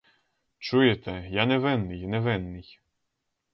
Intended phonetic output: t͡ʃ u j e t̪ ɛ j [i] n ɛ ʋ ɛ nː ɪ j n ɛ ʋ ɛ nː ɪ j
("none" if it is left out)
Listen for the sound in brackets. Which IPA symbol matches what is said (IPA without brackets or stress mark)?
a